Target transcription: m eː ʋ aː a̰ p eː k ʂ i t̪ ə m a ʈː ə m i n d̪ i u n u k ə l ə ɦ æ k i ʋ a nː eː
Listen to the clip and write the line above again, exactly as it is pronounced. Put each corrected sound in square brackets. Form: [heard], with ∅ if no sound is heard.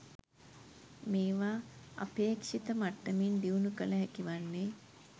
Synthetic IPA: m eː ʋ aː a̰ p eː k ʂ i t̪ ə m a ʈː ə m i n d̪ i u n u k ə l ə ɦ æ k i ʋ a nː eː